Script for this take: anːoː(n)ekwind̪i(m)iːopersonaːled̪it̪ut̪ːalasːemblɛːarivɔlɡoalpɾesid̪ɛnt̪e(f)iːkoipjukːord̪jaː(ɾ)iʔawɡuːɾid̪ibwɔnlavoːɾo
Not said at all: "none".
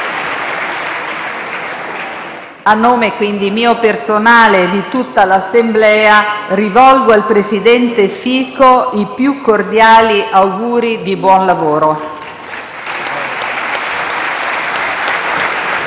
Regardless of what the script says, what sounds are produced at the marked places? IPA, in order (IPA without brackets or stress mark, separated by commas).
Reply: m, m, f, l